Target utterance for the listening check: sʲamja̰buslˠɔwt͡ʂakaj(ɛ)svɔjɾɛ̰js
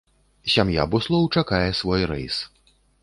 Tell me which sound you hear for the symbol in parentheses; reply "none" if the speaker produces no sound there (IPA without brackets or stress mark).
ɛ